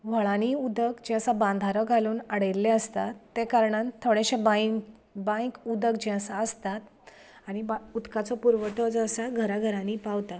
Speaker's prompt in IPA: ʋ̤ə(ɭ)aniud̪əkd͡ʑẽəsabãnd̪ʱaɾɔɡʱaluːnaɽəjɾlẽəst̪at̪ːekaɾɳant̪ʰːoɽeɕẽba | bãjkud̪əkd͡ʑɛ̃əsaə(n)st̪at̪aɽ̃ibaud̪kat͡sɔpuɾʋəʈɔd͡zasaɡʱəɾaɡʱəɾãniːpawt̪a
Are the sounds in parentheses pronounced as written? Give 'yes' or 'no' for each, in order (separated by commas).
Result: yes, no